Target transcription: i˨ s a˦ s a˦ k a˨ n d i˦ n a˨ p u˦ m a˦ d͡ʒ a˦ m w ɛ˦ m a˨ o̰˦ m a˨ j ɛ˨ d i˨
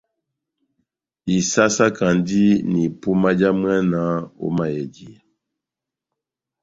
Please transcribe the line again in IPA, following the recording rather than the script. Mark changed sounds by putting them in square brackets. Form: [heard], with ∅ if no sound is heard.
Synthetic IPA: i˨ s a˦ s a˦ k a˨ n d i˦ n [i˨] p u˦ m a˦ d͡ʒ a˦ m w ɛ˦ [n] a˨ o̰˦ m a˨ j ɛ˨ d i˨